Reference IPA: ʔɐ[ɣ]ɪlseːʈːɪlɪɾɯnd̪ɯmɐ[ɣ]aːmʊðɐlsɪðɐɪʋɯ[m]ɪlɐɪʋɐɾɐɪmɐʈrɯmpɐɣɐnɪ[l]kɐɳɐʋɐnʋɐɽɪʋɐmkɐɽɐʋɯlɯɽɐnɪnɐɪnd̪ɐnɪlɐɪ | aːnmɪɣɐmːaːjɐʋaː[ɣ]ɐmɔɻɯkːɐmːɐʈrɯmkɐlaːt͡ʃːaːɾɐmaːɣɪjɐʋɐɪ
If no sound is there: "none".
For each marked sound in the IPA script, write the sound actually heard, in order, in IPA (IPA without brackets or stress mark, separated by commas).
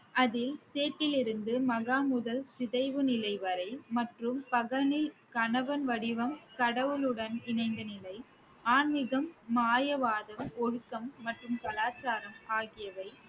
ð, ɣ, n, l, ð